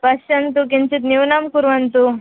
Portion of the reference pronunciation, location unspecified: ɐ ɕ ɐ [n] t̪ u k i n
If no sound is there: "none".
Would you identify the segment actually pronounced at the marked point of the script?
n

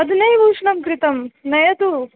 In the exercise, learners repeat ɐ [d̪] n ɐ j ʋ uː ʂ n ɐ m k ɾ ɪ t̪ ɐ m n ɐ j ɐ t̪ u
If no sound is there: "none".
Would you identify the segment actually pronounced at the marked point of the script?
d̪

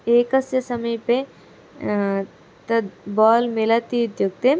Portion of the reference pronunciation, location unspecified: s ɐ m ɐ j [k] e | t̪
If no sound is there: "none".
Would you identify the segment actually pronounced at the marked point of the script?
p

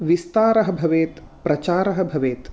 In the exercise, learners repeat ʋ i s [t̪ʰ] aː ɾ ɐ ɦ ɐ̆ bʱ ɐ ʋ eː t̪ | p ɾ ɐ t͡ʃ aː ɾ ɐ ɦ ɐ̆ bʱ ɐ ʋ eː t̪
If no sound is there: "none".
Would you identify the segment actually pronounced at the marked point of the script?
t̪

